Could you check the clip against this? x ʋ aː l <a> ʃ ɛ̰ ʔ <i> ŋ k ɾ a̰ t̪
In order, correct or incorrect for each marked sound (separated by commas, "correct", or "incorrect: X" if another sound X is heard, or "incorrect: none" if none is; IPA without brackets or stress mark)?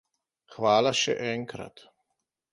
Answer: correct, incorrect: ɛ